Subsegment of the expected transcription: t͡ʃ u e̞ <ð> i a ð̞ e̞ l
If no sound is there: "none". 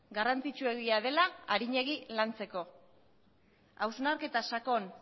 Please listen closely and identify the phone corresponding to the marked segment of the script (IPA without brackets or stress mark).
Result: ɣ